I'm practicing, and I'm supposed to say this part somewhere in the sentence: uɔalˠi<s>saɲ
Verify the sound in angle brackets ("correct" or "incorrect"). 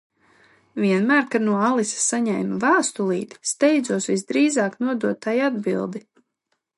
correct